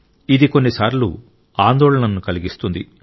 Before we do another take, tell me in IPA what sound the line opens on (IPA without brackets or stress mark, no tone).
i